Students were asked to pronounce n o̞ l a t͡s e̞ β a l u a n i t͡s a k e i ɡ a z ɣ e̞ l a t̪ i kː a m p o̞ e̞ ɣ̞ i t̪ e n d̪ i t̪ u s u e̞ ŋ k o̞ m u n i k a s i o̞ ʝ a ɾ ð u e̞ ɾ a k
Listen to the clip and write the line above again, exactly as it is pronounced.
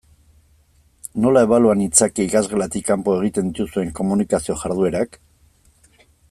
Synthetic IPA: n o̞ l a e̞ β a l u a n i t͡s a k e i k a z ɣ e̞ l a t̪ i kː a m p o̞ e̞ ɣ̞ i t̪ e n d̪ i t̪ u s u e̞ ŋ k o̞ m u n i k a s i o̞ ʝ a ɾ ð u e̞ ɾ a k